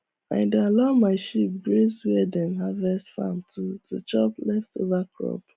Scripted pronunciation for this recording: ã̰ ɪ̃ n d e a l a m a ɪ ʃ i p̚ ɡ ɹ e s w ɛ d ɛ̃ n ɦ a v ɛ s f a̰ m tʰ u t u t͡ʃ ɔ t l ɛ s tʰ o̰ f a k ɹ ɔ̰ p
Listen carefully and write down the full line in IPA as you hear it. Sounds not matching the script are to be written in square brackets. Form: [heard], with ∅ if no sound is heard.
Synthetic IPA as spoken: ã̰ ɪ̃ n d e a l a m a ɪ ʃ i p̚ ɡ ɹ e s w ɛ d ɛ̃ n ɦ a v ɛ s f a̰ m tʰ u t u t͡ʃ ɔ [p] l ɛ [f] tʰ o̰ [v] a k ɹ ɔ̰ p